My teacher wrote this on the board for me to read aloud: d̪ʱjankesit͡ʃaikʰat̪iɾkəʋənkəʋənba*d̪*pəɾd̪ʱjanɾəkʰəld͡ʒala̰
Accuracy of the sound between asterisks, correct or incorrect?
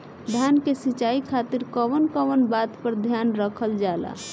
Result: incorrect